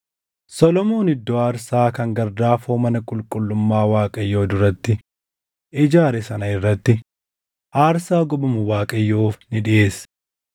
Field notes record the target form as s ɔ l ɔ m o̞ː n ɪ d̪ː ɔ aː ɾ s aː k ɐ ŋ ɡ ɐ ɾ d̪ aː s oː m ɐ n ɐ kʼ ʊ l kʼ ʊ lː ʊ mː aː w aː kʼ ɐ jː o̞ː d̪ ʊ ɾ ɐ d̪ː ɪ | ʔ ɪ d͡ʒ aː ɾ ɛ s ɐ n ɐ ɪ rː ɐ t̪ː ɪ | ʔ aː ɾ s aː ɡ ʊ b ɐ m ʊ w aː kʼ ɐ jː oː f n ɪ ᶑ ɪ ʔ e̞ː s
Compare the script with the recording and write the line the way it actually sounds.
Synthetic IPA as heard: s ɔ l ɔ m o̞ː n ɪ d̪ː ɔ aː ɾ s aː k ɐ ŋ ɡ ɐ ɾ d̪ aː f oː m ɐ n ɐ kʼ ʊ l kʼ ʊ lː ʊ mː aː w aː kʼ ɐ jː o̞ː d̪ ʊ ɾ ɐ t̪ː ɪ | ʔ ɪ d͡ʒ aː ɾ ɛ s ɐ n ɐ ɪ rː ɐ t̪ː ɪ | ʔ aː ɾ s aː ɡ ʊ b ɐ m ʊ w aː kʼ ɐ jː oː f n ɪ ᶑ ɪ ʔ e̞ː s

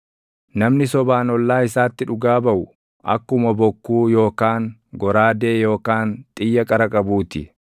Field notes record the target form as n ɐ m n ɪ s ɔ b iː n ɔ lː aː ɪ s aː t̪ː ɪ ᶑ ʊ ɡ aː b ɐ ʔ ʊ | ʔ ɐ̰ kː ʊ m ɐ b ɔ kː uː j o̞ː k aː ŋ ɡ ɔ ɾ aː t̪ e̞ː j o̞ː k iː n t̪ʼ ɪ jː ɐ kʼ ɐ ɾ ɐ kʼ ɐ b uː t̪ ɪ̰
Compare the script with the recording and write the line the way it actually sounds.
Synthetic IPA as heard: n ɐ m n ɪ s ɔ b aː n ɔ lː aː ɪ s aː t̪ː ɪ ᶑ ʊ ɡ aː b ɐ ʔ ʊ | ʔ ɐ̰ kː ʊ m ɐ b ɔ kː uː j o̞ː k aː ŋ ɡ ɔ ɾ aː d̪ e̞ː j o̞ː k aː n t̪ʼ ɪ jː ɐ kʼ ɐ ɾ ɐ kʼ ɐ b uː t̪ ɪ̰

